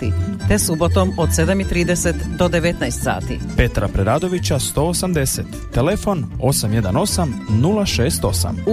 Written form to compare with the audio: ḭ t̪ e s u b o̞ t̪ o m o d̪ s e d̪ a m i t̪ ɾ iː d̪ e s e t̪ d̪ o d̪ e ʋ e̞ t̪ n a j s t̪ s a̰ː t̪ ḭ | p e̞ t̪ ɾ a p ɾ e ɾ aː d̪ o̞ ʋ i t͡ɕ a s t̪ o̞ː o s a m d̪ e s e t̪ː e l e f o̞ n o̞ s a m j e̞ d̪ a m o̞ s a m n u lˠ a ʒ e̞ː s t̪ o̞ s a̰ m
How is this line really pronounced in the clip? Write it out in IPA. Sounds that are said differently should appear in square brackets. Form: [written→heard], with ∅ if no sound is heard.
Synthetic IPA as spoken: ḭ t̪ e s u b o̞ t̪ o m o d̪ s e d̪ a m i t̪ ɾ iː d̪ e s e t̪ d̪ o d̪ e ʋ e̞ t̪ n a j s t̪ s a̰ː t̪ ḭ | p e̞ t̪ ɾ a p ɾ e ɾ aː d̪ o̞ ʋ i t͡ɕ a s t̪ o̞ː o s a m d̪ e s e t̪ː e l e f o̞ n o̞ s a m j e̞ d̪ a [m→n] o̞ s a m n u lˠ a [ʒ→ʃ] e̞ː s t̪ o̞ s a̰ m